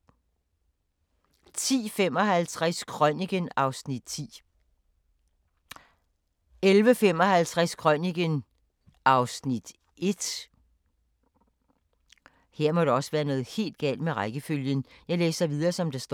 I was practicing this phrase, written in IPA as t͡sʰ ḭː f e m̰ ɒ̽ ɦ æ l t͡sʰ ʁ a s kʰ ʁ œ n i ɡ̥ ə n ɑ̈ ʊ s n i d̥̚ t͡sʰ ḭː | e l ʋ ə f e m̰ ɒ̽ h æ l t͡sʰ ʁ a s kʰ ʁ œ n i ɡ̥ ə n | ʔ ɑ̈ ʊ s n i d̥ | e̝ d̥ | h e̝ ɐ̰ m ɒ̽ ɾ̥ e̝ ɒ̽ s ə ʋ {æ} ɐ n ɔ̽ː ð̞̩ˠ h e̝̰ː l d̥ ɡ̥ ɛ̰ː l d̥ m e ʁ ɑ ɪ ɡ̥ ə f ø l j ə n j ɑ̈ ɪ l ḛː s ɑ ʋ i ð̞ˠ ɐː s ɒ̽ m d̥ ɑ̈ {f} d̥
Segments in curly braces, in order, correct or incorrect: incorrect: æː, incorrect: s

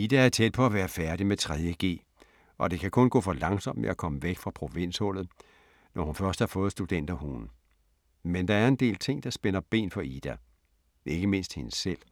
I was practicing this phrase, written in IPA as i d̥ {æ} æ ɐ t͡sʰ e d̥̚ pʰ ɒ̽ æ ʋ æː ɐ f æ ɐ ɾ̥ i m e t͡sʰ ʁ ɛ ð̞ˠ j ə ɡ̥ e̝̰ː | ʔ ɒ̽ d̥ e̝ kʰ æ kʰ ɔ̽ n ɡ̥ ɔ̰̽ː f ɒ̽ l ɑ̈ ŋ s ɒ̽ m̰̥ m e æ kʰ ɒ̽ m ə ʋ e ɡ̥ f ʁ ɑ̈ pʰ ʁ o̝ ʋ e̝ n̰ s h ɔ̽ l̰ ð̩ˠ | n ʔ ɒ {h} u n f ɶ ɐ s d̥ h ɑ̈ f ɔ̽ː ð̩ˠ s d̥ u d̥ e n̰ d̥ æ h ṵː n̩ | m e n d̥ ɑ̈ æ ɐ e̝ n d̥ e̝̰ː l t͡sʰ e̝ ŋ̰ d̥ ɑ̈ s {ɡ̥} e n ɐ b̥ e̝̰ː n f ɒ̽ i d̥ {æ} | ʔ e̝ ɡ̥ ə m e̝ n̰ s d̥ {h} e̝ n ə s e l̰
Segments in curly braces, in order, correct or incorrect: correct, correct, incorrect: b̥, correct, correct

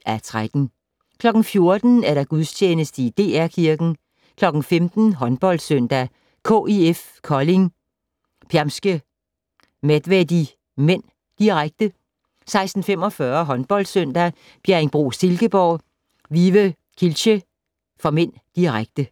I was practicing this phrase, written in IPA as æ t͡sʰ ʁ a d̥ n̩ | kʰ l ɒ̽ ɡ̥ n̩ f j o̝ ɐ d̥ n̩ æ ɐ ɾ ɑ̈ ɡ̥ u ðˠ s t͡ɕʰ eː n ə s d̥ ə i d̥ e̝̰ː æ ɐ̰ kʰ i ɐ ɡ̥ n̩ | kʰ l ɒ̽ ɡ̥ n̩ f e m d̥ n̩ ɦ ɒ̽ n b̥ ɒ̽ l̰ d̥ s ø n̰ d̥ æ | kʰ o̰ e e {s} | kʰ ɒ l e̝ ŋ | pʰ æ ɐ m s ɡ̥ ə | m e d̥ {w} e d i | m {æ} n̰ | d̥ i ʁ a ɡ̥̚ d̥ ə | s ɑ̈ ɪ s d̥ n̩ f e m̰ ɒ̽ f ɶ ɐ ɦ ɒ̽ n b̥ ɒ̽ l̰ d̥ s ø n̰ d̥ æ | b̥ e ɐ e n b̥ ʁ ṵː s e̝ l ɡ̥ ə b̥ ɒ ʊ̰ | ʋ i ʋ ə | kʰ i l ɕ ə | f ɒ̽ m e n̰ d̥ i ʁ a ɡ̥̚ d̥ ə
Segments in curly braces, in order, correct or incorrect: incorrect: f, incorrect: ʋ, incorrect: e

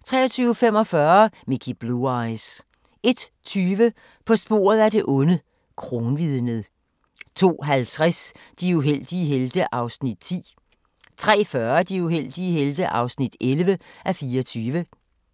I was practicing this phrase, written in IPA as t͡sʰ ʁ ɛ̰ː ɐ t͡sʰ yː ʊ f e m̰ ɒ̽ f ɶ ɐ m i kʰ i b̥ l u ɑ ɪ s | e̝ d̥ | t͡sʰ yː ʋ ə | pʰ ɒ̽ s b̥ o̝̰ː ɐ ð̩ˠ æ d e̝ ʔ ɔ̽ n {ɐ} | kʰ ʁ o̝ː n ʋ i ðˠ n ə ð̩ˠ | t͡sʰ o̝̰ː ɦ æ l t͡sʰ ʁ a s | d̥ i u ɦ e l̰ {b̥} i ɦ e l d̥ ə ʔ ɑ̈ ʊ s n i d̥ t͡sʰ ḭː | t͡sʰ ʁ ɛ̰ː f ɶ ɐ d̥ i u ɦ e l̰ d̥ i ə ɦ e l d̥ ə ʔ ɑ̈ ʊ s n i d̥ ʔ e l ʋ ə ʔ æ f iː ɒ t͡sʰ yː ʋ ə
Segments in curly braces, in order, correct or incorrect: incorrect: ə, incorrect: d̥

